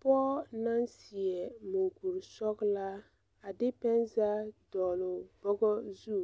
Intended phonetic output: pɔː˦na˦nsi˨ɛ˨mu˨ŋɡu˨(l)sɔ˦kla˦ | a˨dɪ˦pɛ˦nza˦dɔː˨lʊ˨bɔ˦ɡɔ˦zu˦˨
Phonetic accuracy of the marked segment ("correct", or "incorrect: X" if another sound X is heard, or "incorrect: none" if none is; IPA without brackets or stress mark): incorrect: ɾ